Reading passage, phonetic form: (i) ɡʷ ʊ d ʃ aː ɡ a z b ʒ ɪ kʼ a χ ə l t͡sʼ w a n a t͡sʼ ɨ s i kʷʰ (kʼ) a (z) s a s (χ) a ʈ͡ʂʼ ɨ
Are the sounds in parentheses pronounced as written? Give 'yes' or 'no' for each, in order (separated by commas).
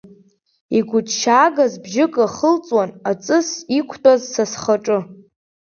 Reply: yes, no, yes, yes